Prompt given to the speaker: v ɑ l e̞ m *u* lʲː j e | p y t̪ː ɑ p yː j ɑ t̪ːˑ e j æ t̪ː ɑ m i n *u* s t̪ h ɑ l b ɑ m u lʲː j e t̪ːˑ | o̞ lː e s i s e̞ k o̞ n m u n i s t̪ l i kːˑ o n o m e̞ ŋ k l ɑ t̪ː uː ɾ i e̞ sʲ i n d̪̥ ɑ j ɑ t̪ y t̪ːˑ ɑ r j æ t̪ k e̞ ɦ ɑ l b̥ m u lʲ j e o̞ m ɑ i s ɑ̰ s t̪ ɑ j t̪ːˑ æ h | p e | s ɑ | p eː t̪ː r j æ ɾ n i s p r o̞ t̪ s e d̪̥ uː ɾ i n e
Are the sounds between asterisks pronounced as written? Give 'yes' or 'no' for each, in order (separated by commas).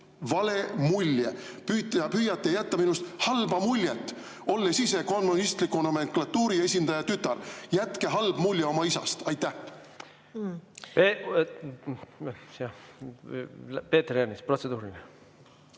yes, yes